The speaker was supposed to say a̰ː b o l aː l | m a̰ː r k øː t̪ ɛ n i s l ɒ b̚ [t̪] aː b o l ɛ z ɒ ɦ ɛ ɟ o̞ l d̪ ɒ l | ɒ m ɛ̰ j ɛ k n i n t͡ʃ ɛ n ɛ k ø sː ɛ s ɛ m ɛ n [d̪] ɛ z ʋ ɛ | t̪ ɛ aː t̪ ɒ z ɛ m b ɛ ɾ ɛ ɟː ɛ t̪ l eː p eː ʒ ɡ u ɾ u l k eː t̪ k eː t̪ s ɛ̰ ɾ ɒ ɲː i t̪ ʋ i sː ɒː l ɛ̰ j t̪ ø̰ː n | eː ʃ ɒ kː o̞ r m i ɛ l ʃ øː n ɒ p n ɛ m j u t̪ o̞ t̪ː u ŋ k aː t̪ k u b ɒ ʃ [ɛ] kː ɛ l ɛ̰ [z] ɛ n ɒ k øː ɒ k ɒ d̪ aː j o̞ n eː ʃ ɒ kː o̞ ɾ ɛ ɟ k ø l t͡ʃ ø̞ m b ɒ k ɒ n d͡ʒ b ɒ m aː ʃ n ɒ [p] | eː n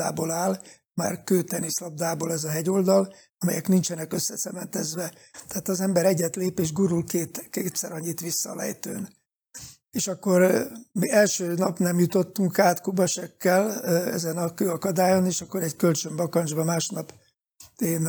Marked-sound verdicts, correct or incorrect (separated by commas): incorrect, incorrect, correct, correct, correct